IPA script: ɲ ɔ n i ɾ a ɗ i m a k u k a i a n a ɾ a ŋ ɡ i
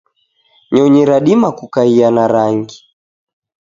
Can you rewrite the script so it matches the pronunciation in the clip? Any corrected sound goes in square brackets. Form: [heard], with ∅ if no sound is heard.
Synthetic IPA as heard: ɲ ɔ [ɲ] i ɾ a ɗ i m a k u k a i a n a ɾ a ŋ ɡ i